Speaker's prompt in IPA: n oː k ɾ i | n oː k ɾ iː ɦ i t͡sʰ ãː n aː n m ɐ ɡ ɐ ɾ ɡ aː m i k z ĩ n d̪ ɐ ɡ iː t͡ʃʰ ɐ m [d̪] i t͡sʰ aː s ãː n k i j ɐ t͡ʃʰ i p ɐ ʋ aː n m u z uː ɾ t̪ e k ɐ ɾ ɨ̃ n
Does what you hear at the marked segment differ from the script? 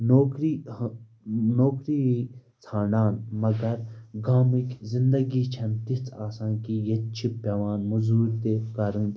yes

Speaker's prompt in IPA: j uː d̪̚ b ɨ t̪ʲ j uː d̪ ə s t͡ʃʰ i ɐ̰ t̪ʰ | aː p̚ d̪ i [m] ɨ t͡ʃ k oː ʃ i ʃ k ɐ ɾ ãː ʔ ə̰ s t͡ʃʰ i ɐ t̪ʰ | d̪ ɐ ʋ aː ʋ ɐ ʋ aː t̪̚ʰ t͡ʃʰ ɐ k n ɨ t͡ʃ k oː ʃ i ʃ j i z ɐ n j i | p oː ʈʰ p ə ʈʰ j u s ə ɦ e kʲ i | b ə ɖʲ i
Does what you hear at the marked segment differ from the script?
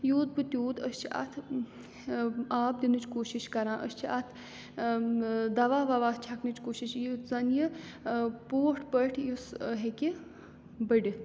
yes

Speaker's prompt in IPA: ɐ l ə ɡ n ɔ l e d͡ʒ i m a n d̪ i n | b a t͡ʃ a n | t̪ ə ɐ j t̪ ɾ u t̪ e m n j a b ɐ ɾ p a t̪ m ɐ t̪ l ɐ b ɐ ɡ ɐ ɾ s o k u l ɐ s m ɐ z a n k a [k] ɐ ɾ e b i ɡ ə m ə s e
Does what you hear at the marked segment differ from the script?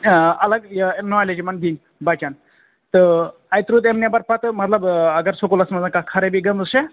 yes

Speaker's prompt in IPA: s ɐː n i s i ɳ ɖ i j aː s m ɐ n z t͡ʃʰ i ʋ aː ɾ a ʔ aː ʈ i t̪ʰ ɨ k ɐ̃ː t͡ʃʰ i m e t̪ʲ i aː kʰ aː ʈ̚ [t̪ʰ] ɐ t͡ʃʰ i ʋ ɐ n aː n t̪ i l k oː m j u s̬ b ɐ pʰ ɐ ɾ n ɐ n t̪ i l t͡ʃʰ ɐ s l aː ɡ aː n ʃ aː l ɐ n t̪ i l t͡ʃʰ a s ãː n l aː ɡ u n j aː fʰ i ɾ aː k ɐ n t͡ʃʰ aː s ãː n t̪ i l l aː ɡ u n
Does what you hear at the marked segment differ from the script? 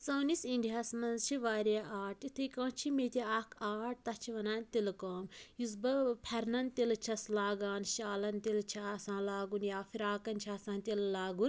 yes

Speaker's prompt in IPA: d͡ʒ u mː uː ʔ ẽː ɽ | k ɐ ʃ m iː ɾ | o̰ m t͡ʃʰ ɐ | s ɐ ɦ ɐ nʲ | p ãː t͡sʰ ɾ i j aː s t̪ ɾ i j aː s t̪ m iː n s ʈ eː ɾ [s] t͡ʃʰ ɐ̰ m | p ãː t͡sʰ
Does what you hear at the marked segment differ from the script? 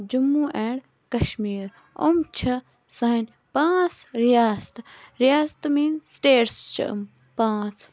no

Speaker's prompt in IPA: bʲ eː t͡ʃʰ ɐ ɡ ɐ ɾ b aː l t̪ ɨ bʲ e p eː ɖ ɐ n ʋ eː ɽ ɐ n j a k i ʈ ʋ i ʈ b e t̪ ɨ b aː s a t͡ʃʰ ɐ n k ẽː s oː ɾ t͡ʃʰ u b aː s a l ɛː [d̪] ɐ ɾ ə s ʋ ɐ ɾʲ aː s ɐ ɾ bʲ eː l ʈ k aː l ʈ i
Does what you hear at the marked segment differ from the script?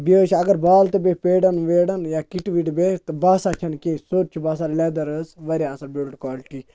no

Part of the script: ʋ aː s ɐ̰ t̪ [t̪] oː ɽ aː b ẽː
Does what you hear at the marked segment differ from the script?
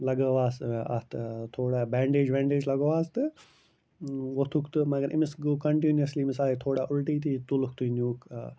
yes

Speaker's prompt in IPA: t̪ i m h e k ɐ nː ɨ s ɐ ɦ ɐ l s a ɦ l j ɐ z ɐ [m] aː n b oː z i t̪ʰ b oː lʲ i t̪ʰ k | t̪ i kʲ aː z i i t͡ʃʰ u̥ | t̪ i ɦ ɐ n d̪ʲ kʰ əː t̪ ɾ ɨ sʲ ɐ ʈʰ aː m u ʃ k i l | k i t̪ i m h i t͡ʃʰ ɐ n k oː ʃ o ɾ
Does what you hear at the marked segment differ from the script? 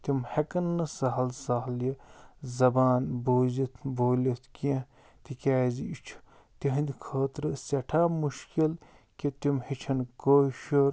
yes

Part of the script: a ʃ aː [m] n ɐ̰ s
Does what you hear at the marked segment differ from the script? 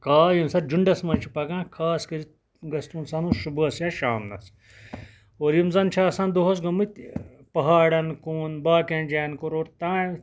no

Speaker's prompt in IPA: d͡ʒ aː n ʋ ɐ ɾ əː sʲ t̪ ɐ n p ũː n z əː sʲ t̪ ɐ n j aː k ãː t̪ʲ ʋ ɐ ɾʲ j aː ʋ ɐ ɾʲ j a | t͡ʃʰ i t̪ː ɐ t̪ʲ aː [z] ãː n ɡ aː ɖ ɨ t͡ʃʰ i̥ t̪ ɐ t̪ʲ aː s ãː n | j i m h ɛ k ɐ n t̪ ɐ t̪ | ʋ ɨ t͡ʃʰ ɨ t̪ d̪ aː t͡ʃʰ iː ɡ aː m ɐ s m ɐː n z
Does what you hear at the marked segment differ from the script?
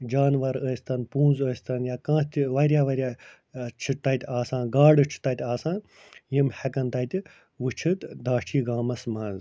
yes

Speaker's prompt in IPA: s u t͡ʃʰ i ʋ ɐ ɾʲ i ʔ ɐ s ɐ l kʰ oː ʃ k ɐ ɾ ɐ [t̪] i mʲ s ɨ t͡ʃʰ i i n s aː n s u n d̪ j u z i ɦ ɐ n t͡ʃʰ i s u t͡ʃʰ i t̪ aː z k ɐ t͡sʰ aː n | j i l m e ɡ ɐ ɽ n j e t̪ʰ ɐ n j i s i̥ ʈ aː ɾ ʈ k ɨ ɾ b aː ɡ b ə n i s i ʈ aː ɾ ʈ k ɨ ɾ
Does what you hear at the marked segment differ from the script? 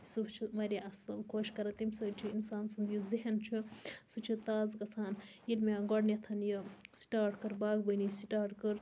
no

